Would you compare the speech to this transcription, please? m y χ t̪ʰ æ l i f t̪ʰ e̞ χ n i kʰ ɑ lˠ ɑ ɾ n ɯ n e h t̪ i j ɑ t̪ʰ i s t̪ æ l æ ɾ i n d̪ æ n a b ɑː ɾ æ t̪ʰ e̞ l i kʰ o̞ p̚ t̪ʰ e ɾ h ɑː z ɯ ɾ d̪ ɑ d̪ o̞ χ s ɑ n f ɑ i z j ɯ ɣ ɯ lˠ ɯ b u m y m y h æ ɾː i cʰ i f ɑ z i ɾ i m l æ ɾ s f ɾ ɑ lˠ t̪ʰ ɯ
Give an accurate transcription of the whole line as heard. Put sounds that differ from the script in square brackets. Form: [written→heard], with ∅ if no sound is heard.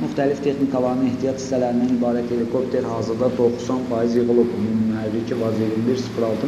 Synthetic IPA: m y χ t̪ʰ æ l i f t̪ʰ e̞ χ n i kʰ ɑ lˠ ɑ ɾ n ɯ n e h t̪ i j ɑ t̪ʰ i s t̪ æ l æ ɾ i n d̪ æ n [a→i] b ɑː ɾ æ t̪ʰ e̞ l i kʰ o̞ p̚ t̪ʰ e ɾ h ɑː z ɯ ɾ d̪ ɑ d̪ o̞ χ s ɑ n f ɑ i z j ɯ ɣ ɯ lˠ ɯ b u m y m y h æ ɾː i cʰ i [f→v] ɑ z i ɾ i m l [æ→i] ɾ s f ɾ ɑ lˠ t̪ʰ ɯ